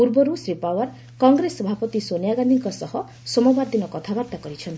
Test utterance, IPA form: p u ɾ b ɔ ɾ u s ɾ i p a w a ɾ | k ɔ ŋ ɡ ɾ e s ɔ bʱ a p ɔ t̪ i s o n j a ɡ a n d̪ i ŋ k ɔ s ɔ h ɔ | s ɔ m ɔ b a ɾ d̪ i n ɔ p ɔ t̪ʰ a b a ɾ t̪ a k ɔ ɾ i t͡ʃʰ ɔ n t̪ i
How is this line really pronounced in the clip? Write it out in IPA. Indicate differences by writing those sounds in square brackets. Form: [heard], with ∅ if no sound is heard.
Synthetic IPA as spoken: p u ɾ b ɔ ɾ u s ɾ i p a w a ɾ | k ɔ ŋ ɡ ɾ e s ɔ bʱ a p ɔ t̪ i s o n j a ɡ a n d̪ i ŋ k ɔ s ɔ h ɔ | s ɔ m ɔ b a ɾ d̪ i n ɔ [k] ɔ t̪ʰ a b a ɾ t̪ a k ɔ ɾ i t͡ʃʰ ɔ n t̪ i